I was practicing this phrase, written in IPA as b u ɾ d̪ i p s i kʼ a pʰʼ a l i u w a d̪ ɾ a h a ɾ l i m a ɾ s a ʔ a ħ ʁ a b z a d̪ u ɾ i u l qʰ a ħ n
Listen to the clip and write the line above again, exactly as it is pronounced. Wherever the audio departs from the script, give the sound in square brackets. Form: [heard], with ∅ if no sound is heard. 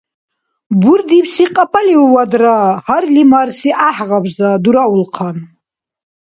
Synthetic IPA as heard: b u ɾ d̪ i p s i [qʼ] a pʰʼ a l i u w a d̪ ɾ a h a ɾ l i m a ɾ s [i] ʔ a ħ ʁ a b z a d̪ u ɾ [a] u l qʰ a [∅] n